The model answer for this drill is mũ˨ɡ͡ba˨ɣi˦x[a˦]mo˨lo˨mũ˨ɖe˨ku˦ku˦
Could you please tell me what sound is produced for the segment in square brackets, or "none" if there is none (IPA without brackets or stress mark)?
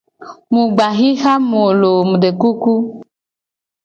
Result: a˦